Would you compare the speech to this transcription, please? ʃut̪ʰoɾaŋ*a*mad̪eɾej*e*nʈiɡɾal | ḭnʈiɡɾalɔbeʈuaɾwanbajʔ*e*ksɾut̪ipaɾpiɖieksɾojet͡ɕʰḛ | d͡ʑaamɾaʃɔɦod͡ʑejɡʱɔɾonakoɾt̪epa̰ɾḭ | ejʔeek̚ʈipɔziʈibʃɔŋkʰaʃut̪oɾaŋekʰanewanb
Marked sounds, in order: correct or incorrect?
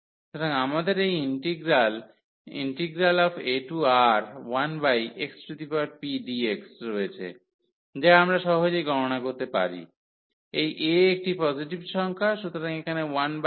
correct, incorrect: i, correct

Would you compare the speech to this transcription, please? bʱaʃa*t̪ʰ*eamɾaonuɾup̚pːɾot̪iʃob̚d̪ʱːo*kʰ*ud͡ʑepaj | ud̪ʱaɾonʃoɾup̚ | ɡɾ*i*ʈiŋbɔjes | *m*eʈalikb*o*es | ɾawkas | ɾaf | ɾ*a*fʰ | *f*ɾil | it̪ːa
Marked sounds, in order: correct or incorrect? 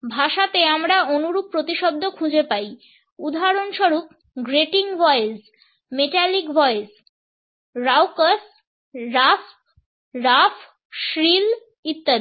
incorrect: t̪, correct, incorrect: e, correct, incorrect: ɔ, correct, incorrect: ʃ

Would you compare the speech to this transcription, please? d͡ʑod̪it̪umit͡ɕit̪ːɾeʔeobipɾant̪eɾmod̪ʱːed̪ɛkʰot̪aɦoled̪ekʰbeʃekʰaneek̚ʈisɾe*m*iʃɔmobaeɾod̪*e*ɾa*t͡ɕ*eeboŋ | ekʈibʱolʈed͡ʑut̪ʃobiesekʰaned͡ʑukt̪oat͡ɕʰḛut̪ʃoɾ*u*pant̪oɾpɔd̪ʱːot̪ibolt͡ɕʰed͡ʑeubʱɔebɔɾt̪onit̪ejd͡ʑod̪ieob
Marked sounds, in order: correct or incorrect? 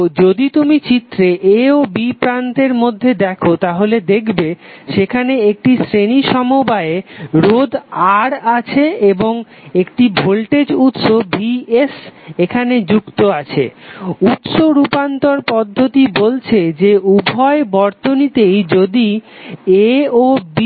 incorrect: n, incorrect: a, incorrect: t͡ɕʰ, correct

